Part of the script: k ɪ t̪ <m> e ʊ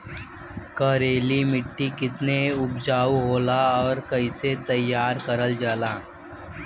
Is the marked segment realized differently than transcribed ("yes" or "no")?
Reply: yes